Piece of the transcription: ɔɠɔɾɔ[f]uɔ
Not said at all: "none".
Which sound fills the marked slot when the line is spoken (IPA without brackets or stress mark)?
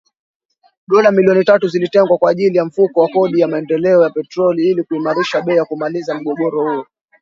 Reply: h